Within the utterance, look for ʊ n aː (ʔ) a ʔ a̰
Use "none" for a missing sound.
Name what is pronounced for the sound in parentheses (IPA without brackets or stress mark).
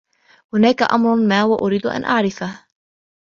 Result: k